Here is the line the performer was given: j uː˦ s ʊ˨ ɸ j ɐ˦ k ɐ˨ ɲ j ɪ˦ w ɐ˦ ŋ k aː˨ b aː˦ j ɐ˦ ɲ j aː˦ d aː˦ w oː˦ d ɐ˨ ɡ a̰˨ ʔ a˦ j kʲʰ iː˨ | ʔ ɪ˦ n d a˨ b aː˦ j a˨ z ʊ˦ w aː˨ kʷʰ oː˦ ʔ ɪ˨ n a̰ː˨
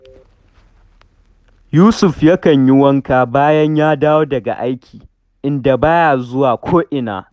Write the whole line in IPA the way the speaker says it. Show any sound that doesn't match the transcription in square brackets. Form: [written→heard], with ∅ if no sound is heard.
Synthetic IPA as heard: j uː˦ s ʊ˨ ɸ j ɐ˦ k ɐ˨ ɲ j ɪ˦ w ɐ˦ ŋ k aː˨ b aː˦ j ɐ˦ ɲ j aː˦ d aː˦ w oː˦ d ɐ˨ ɡ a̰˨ ʔ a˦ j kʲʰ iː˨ | ʔ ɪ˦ n d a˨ b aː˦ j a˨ z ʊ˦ w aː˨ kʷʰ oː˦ ʔ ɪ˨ n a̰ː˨